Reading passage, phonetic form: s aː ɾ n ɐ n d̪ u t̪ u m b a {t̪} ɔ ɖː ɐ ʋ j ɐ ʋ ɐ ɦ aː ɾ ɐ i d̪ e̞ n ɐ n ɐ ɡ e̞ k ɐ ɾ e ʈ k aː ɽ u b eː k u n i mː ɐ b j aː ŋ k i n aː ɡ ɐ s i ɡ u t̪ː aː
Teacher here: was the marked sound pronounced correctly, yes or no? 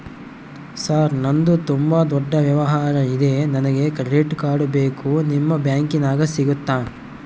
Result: no